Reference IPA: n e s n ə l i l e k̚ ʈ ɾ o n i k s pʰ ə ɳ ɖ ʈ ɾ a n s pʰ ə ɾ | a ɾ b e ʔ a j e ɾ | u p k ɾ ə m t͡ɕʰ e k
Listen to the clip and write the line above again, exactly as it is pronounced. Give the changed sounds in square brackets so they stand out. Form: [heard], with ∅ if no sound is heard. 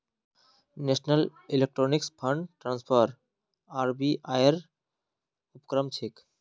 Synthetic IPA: n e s n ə l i l e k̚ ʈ ɾ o n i k s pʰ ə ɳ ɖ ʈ ɾ a n s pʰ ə ɾ | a ɾ b [i] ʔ a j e ɾ | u p k ɾ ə m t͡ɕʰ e k